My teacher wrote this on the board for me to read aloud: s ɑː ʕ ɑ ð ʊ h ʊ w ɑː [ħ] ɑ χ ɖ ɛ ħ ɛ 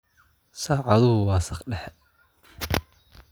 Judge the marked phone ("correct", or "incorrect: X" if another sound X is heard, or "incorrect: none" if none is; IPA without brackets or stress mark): incorrect: s